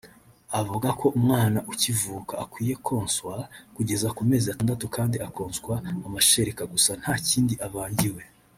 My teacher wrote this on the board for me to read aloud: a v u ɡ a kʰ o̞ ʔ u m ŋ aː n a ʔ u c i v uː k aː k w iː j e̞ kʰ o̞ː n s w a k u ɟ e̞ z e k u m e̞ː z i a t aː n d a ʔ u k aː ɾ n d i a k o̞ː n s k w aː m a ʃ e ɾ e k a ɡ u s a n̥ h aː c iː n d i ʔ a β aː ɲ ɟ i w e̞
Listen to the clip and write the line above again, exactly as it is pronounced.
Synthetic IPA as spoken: a v u ɡ a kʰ o̞ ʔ u m ŋ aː n a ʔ u c i v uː k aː k w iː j e̞ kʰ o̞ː n s w a k u ɟ e̞ z a k u m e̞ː z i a t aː n d a t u k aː n d i a k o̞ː n s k w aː m a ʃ e ɾ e k a ɡ u s a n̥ h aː c iː n d i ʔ a β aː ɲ ɟ i w e̞